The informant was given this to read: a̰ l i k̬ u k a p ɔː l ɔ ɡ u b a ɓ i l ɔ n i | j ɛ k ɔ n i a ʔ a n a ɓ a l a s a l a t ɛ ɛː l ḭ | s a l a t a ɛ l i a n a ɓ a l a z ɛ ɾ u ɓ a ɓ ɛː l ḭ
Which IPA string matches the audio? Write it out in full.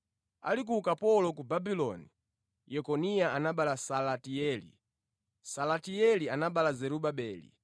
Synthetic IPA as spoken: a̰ l i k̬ u k a p ɔ l ɔ k u b a b i l ɔ n i | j ɛ k ɔ n i a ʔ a n a ɓ a l a s a l a t i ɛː l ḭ | s a l a t i ɛ l i a n a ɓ a l a z ɛ ɾ u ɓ a ɓ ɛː l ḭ